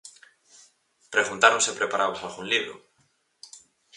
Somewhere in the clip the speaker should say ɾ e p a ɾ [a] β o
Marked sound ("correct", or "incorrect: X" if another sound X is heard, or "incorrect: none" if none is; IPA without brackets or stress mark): correct